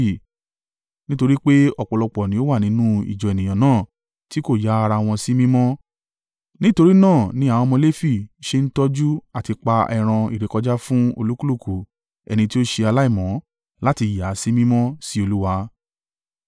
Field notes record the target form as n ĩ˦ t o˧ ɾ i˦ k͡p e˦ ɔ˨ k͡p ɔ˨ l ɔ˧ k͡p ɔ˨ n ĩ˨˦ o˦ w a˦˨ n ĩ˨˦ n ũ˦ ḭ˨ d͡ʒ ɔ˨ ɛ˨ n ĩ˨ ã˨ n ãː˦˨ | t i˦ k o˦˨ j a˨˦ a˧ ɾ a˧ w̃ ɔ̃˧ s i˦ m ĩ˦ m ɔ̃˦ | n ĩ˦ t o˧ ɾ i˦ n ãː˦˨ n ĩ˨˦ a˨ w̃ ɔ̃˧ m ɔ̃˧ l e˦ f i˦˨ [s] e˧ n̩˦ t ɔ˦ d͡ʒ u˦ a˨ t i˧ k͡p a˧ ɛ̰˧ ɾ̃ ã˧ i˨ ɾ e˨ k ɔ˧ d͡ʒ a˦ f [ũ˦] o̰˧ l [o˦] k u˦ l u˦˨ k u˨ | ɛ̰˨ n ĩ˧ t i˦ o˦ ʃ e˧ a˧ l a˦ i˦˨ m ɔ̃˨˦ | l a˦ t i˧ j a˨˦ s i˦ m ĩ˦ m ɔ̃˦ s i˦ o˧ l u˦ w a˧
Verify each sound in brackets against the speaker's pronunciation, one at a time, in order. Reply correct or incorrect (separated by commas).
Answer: incorrect, correct, incorrect